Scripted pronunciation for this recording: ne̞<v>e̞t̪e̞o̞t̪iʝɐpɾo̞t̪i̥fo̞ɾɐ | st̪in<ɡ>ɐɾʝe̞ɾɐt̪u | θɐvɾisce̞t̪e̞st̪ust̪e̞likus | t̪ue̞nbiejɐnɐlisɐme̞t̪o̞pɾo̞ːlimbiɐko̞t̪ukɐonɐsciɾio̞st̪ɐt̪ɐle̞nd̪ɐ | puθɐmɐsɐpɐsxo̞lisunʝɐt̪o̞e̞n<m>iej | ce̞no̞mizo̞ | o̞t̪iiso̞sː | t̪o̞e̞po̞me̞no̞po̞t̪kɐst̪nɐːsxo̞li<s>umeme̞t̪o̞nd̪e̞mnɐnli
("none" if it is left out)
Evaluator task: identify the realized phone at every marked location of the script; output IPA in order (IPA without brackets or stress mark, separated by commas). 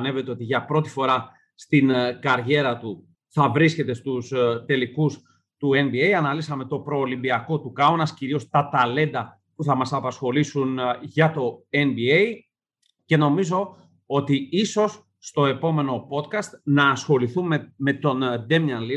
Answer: v, k, b, θ